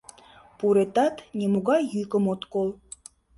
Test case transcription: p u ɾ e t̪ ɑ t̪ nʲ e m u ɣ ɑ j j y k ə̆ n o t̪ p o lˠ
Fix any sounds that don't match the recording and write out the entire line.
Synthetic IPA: p u ɾ e t̪ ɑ t̪ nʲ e m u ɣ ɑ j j y k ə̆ m o t̪ k o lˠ